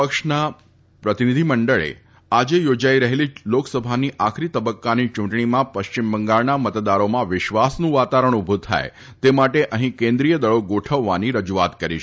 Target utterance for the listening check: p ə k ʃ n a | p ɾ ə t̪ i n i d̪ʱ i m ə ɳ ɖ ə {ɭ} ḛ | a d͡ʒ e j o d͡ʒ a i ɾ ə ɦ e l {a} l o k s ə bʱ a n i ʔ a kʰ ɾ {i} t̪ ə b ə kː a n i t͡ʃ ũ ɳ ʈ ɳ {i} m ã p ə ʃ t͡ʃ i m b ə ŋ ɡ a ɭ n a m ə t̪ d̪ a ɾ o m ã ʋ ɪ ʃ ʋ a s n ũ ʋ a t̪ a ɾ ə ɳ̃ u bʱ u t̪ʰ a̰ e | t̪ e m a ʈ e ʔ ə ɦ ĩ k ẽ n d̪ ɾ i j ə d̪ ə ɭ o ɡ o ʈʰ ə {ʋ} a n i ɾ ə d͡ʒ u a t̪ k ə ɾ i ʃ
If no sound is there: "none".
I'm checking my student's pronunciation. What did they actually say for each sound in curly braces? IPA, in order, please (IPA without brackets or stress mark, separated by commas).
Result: ɭ, i, i, i, ʋː